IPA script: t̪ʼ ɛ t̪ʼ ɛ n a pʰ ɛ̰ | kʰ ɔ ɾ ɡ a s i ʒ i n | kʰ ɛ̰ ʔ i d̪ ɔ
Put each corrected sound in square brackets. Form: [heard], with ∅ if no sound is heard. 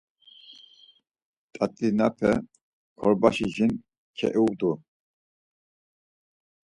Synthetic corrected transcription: t̪ʼ [a] t̪ʼ [i] n a pʰ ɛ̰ | kʰ ɔ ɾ [b] a [ʃ] i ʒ i n | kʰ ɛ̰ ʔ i d̪ [u]